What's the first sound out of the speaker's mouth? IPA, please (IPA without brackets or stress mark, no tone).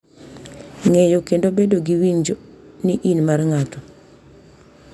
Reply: ŋ